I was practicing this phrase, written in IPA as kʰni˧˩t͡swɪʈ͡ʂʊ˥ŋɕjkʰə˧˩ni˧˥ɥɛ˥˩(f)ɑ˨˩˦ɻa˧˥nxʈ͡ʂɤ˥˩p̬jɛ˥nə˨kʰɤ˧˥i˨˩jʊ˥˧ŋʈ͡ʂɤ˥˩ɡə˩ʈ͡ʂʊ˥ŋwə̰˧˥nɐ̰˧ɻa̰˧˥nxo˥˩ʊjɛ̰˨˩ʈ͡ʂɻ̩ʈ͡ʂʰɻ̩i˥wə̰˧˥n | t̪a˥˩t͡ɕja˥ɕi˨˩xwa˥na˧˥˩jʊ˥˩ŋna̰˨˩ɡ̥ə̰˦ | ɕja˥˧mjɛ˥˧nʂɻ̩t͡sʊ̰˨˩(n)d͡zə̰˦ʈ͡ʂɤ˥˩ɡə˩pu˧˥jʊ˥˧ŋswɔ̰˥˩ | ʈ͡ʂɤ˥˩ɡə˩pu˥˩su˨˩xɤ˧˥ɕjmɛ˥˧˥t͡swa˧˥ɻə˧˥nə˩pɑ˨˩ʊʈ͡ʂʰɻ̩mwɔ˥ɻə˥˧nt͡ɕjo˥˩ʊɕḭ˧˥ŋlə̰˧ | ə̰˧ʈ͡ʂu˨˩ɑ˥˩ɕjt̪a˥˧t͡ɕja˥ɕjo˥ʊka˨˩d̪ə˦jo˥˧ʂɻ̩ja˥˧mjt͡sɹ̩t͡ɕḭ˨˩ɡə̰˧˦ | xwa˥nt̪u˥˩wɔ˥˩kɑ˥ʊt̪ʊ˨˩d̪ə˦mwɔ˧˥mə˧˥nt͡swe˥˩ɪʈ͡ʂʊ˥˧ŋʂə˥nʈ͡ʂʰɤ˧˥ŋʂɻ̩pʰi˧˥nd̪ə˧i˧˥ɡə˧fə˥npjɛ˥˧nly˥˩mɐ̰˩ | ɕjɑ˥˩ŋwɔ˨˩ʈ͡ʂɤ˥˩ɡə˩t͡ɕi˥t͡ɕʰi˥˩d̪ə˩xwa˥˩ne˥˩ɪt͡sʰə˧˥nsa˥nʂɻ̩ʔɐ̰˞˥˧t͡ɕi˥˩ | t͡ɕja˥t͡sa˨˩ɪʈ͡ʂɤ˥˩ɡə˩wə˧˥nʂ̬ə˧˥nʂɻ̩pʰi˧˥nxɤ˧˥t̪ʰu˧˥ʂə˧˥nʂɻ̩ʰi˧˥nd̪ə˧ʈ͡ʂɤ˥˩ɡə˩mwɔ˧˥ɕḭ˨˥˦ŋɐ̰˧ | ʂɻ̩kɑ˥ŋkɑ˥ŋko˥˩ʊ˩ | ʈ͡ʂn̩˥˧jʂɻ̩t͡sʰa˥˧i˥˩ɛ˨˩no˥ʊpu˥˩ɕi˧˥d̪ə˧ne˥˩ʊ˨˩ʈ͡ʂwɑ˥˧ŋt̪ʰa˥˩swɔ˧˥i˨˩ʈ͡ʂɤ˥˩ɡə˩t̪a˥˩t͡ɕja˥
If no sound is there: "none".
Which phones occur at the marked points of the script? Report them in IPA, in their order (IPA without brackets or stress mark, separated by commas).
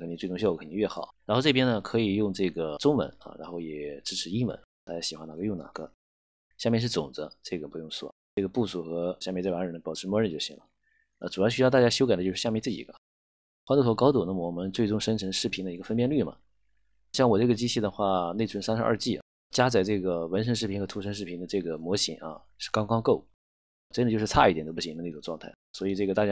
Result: x, ŋ